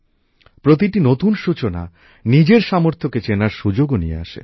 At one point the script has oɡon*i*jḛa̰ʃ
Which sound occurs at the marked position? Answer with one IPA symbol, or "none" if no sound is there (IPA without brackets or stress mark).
i